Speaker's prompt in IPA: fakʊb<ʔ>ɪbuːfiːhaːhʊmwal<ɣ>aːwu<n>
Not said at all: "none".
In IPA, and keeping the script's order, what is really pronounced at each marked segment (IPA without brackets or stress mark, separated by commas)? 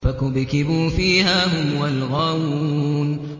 k, ɣ, n